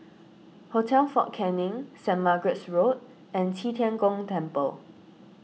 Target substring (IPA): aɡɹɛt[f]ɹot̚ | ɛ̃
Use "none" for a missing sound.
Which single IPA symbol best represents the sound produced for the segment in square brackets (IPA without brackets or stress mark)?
s